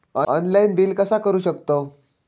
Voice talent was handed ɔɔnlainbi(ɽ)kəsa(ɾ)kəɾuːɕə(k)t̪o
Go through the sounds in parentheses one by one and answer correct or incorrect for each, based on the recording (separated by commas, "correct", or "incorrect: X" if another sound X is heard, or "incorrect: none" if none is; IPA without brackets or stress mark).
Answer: incorrect: l, incorrect: none, correct